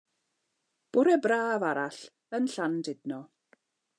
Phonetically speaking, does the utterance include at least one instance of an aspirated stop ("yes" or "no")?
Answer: no